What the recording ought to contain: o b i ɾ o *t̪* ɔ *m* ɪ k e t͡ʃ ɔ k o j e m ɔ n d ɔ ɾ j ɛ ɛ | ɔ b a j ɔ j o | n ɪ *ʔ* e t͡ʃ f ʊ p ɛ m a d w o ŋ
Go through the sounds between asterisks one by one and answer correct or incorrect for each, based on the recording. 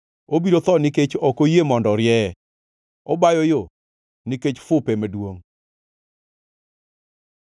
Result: correct, incorrect, incorrect

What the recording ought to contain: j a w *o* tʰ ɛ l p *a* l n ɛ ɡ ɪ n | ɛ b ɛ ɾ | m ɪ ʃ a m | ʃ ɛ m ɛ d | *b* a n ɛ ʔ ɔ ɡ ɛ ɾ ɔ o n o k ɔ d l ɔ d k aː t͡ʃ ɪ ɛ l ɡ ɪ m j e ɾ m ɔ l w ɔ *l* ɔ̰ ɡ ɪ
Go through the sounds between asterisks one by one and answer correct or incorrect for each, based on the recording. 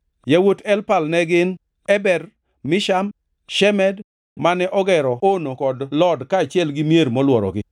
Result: correct, correct, incorrect, incorrect

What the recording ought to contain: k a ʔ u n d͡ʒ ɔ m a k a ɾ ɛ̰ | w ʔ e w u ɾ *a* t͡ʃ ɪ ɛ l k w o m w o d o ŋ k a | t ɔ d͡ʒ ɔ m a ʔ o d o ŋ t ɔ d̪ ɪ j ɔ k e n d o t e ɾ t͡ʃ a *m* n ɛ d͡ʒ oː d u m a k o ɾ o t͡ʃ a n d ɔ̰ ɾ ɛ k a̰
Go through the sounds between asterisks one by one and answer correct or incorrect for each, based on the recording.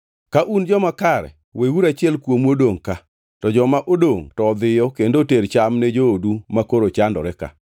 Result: correct, correct

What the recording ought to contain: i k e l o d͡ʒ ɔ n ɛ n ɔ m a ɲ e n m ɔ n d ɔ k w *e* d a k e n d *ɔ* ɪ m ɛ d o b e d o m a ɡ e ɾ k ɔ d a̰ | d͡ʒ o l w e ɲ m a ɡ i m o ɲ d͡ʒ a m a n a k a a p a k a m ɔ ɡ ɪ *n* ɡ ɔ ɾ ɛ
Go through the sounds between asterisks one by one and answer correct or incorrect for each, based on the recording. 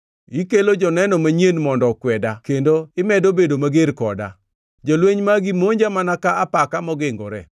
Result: incorrect, incorrect, incorrect

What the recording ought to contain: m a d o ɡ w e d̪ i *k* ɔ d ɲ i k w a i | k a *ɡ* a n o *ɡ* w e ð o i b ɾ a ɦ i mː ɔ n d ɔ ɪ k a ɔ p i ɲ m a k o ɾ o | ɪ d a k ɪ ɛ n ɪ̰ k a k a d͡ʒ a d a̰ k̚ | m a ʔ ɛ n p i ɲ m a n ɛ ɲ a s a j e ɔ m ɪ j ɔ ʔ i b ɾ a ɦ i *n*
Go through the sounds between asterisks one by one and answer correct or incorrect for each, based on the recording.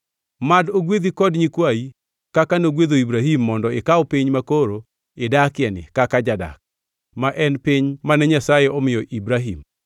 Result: correct, incorrect, correct, incorrect

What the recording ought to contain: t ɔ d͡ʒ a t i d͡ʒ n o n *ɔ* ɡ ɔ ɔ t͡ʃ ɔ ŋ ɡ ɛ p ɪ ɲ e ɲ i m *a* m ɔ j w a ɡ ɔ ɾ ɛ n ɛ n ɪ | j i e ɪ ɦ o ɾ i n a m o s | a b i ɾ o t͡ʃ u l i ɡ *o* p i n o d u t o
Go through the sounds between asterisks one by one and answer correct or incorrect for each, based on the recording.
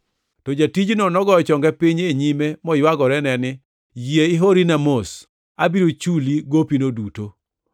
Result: correct, incorrect, correct

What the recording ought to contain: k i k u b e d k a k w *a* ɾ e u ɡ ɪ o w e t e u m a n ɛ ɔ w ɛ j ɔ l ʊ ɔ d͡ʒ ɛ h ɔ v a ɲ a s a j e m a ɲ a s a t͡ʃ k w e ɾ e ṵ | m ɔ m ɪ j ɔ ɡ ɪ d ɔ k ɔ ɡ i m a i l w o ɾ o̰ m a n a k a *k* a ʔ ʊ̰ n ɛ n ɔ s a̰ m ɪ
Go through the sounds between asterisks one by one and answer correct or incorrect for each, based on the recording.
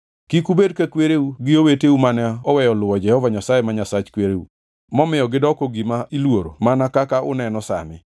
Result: incorrect, correct

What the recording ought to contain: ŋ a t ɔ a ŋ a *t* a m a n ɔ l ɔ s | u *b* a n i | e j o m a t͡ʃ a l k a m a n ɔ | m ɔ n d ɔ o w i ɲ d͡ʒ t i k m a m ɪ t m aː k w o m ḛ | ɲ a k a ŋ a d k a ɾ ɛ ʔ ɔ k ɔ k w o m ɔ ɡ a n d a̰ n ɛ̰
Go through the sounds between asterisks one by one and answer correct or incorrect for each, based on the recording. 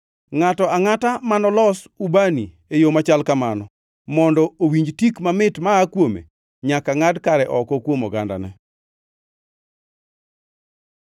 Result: correct, correct

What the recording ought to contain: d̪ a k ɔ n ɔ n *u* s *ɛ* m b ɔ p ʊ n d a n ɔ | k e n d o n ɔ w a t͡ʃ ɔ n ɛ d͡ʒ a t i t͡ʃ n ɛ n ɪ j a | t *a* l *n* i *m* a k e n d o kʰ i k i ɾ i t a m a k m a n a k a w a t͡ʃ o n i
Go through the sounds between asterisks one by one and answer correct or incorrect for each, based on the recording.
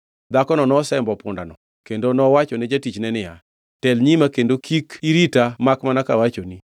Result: incorrect, correct, incorrect, incorrect, correct

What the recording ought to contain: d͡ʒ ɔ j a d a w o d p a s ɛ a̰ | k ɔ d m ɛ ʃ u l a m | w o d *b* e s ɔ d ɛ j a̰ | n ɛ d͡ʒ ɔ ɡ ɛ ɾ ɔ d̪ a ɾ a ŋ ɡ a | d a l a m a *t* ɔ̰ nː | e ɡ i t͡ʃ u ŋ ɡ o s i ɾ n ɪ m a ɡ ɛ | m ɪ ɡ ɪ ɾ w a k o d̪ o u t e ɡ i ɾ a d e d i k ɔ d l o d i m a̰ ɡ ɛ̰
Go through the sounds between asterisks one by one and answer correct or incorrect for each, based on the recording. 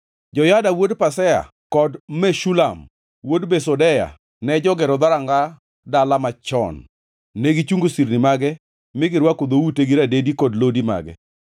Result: correct, incorrect

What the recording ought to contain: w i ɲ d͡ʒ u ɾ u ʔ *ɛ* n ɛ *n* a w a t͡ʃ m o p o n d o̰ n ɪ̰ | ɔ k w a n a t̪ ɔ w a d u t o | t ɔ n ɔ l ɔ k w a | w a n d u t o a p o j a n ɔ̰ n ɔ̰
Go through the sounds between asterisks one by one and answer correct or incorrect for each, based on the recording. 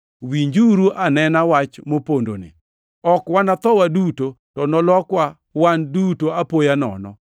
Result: incorrect, correct

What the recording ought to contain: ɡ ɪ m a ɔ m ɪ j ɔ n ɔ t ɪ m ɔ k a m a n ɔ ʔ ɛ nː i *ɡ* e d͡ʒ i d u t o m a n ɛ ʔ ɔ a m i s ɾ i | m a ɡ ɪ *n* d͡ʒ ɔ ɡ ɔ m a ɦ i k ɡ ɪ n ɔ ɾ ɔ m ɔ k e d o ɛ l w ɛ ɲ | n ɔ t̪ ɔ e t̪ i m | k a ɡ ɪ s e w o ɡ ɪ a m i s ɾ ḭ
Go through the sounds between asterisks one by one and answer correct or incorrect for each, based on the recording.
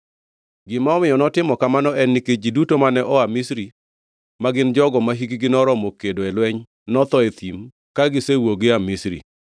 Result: incorrect, correct

